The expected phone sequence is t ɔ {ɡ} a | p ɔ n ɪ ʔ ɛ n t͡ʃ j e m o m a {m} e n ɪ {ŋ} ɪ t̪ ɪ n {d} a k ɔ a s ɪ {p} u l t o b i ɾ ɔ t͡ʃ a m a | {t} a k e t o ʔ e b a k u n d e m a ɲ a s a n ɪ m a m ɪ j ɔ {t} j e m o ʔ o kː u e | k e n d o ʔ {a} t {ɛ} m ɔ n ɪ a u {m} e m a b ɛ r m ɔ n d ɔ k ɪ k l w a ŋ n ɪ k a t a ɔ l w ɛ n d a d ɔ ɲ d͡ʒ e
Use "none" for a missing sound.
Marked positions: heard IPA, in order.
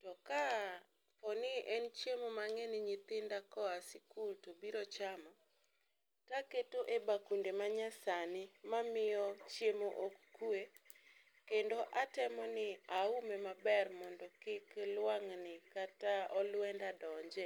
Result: k, ŋ, ɲ, d, k, t, t͡ʃ, a, ɛ, m

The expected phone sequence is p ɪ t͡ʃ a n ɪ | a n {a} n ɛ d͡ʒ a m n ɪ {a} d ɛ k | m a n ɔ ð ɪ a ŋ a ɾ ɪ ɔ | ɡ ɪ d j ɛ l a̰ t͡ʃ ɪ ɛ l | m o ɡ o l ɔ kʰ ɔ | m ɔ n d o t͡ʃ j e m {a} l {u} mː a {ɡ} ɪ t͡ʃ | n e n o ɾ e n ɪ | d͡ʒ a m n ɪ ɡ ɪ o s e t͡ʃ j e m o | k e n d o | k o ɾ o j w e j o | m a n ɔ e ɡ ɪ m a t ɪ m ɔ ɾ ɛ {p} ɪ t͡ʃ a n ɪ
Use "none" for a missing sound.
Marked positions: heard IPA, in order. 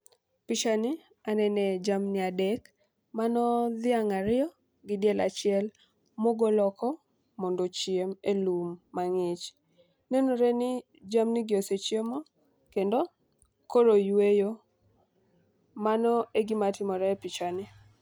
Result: ɛ, a, e, u, ŋ, p

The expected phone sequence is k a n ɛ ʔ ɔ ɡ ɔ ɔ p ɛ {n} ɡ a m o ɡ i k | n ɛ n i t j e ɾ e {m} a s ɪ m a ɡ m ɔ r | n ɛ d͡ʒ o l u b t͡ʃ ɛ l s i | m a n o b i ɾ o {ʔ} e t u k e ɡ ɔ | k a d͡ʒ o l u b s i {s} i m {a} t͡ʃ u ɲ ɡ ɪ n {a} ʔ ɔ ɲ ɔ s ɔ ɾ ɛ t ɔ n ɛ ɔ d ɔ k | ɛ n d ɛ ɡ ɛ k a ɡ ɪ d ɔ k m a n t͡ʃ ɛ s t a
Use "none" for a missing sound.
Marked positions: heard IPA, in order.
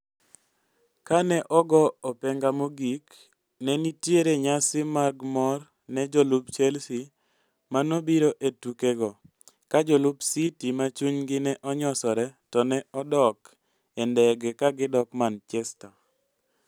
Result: ŋ, ɲ, ʔ, t, a, ɛ

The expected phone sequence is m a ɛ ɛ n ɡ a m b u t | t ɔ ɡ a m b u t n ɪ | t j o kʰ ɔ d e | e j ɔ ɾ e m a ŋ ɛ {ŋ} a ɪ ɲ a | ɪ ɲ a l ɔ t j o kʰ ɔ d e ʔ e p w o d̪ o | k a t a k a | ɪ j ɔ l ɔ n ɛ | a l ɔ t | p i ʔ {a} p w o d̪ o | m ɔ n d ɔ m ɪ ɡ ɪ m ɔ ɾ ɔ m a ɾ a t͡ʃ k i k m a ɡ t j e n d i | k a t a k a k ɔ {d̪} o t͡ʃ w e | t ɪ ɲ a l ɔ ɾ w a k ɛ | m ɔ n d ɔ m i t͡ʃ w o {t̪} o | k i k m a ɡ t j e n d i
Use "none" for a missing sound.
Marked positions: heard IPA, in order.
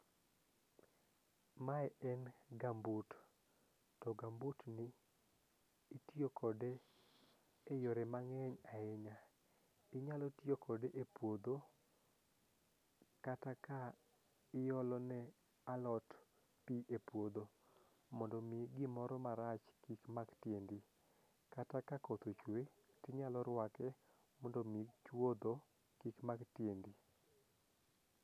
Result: ɲ, e, t̪, d̪

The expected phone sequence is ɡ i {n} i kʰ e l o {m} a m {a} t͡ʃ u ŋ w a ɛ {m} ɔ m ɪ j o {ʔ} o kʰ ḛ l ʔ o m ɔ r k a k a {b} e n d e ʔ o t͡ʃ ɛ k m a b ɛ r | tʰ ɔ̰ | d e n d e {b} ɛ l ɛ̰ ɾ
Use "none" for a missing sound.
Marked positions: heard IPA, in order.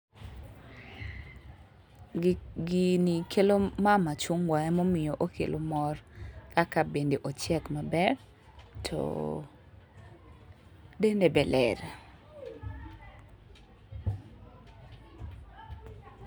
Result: n, m, a, m, ʔ, b, b

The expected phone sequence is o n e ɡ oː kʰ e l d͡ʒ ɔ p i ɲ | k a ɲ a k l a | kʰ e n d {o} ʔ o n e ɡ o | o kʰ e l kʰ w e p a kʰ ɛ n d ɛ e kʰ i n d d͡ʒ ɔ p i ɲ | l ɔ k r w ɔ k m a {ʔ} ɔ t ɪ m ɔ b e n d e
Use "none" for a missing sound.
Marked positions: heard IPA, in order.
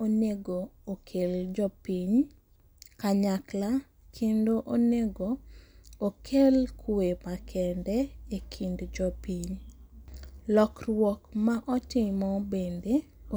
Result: o, ʔ

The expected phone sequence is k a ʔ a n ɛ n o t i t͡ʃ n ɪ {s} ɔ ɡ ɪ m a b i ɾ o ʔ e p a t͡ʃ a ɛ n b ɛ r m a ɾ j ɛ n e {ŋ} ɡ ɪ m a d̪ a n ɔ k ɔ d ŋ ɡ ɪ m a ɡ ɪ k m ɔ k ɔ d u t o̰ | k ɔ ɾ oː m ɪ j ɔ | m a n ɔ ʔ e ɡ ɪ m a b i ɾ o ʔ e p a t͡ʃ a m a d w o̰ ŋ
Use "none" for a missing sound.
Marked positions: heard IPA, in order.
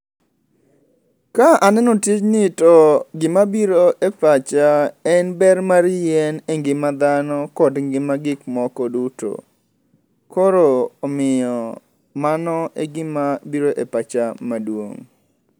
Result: t, ŋ

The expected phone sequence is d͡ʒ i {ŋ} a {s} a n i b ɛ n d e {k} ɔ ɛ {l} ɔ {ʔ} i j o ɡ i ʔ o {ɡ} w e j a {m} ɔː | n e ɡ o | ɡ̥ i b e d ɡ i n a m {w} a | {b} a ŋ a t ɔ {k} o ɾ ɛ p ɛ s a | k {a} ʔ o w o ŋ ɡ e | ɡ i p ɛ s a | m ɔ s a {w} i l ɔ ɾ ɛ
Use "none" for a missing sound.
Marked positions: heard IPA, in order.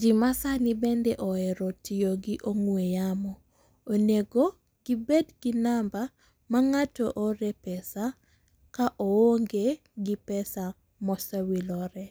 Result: m, s, ʔ, ɾ, t, ŋ, m, b, m, ʔ, a, w

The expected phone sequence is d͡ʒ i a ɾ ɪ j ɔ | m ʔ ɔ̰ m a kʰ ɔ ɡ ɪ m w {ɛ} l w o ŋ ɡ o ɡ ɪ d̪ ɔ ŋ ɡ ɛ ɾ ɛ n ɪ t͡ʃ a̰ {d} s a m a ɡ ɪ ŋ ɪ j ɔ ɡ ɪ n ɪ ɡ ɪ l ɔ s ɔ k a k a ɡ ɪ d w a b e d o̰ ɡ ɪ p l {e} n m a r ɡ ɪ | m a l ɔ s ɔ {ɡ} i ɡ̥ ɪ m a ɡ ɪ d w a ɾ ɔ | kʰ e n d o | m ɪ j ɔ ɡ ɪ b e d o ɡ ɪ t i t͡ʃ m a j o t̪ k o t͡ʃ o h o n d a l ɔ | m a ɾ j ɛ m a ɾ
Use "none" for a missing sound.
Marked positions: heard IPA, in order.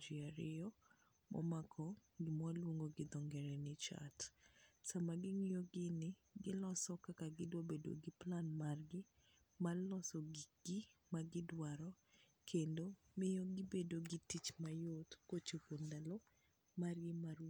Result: a, t, a, ɡ

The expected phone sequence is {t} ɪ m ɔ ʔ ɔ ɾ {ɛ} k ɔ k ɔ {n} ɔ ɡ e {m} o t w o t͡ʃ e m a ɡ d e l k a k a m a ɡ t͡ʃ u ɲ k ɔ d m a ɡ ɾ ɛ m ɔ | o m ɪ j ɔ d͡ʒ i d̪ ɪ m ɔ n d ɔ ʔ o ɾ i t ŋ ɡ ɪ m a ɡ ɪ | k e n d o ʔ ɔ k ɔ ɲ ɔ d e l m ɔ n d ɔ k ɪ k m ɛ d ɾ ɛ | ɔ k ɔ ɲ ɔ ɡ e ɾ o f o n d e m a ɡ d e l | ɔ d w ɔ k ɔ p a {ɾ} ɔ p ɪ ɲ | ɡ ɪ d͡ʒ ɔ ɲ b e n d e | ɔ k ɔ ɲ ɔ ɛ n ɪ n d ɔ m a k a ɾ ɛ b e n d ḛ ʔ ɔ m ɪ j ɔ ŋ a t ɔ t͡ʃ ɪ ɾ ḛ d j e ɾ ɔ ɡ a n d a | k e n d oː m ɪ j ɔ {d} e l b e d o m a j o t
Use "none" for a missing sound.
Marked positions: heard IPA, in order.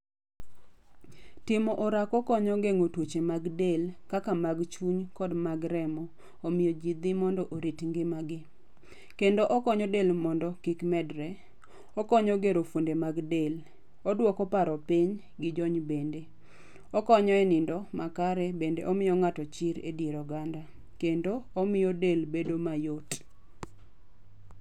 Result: t, a, ɲ, ŋ, ɾ, d

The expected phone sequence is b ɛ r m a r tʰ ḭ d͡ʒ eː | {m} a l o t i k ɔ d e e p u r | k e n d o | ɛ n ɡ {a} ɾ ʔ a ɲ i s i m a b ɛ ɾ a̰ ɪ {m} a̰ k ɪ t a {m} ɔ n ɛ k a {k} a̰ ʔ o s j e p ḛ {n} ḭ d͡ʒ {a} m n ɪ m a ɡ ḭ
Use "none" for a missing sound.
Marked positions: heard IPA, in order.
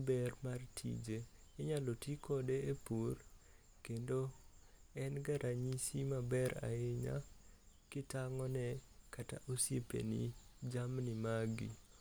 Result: ɲ, a, ɲ, ŋ, t, n, a

